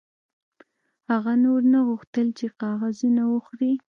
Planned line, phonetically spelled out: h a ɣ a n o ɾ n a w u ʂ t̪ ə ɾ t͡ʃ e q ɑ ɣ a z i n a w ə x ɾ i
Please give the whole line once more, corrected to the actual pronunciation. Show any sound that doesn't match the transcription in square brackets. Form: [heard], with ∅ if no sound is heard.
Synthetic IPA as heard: h a ɣ a n o ɾ n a [ɣ] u [x] t̪ ə [l] t͡ʃ e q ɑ ɣ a z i n a w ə x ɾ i